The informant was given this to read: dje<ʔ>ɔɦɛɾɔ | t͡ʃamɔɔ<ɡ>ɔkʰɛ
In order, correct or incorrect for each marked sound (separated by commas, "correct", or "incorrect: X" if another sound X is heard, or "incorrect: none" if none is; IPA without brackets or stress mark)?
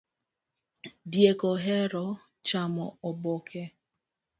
incorrect: k, incorrect: b